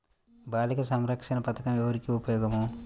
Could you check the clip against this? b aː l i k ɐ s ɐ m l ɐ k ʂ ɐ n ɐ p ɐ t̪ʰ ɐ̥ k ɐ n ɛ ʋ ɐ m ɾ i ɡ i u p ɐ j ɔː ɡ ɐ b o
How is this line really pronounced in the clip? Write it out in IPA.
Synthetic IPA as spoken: b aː l i k ɐ s ɐ m ɾ ɐ k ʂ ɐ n ɐ p ɐ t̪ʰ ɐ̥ k ɐ m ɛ ʋ ɐ ɾ i k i u p ɐ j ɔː ɡ ɐ m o